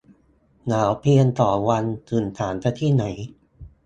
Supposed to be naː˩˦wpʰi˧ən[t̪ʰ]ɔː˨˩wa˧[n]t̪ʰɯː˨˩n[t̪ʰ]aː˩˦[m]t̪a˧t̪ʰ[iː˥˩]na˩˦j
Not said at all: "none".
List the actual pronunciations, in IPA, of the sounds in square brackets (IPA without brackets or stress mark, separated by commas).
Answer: t̪, n, t̪ʰ, n, iː˥˩